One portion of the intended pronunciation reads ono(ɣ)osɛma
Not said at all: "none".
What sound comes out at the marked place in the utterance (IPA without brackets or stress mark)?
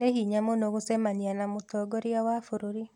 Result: ɣ